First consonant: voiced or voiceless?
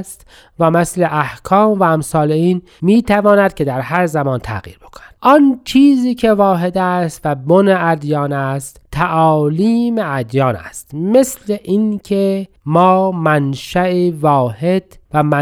voiceless